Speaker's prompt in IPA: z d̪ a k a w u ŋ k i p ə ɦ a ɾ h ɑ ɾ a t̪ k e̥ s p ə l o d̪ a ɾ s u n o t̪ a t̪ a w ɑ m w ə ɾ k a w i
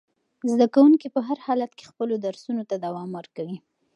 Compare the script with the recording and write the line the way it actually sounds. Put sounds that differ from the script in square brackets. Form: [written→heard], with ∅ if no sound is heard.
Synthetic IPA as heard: z d̪ a k a w u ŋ k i p ə ɦ a ɾ h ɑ [ɾ→l] a t̪ k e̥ [s→x] p ə l o d̪ a ɾ s u n o t̪ a [t̪→d̪] a w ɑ m w ə ɾ k a w i